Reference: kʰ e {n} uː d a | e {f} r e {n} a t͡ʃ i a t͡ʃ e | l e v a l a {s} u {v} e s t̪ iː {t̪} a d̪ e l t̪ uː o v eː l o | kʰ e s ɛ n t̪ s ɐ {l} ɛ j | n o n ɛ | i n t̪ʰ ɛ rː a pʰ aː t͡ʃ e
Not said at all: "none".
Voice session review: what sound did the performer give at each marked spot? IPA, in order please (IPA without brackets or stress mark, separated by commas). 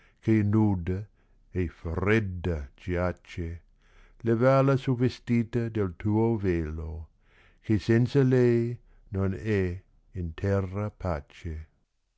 n, f, d, s, v, t̪, l